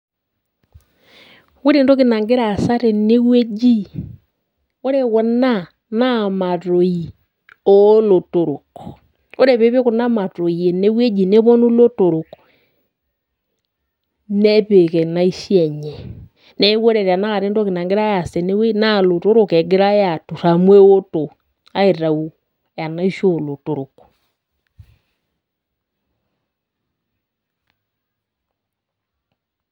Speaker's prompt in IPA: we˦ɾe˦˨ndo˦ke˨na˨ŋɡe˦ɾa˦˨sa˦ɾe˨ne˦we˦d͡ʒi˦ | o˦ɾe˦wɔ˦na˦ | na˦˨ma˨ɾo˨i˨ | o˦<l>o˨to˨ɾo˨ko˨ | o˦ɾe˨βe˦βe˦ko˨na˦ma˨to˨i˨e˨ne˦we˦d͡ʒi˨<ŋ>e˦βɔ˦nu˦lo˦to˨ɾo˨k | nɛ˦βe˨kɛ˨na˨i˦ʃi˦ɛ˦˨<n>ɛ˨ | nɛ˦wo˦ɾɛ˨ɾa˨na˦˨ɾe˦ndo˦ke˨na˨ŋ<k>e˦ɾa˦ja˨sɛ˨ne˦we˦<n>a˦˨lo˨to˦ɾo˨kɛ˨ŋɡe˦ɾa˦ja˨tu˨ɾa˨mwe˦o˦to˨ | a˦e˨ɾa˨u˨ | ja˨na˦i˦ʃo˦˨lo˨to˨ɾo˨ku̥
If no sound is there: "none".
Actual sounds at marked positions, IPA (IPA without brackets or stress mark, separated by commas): l, n, ɲ, ɡ, n